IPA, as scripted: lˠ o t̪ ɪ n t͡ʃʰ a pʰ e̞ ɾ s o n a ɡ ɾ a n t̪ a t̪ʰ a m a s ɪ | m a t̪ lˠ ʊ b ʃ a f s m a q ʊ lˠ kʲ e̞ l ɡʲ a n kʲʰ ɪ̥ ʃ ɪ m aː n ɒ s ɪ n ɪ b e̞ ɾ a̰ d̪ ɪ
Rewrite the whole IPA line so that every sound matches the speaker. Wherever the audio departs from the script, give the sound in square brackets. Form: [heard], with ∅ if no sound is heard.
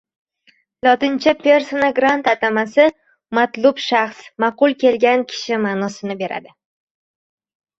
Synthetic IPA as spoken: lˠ [ɒ] t̪ ɪ n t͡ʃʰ a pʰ e̞ ɾ s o n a ɡ ɾ a n t̪ a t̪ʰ a m a s ɪ | m a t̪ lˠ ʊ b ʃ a [χ] s m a q ʊ lˠ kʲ e̞ l ɡʲ a n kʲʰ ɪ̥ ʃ ɪ m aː n ɒ s ɪ n ɪ b e̞ ɾ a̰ d̪ ɪ